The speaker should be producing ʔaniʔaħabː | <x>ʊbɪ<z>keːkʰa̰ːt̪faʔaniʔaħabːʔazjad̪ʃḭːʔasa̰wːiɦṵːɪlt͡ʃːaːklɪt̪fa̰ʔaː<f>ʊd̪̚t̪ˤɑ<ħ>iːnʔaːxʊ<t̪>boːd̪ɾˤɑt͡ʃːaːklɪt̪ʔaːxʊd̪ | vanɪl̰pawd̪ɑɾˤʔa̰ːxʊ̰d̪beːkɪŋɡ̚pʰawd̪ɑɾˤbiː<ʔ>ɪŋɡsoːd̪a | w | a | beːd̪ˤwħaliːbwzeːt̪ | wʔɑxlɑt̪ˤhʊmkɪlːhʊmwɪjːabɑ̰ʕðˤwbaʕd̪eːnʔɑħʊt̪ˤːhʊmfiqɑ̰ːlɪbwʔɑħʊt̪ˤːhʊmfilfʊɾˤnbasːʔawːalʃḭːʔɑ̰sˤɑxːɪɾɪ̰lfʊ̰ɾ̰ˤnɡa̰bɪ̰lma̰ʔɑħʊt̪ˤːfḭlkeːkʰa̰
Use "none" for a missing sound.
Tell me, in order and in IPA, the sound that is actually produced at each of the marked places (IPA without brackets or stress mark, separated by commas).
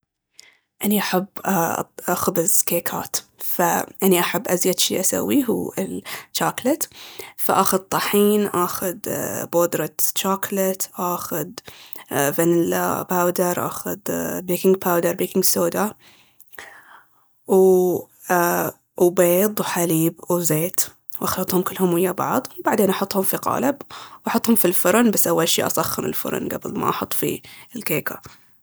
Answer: x, z, x, ħ, d̪, k